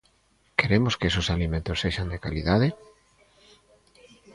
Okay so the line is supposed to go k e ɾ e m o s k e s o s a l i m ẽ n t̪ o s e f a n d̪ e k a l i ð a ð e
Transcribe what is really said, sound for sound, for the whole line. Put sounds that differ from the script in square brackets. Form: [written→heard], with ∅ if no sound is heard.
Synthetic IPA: k e ɾ e m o s k e s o s a l i m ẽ n t̪ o s e [f→ʃ] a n d̪ e k a l i ð a ð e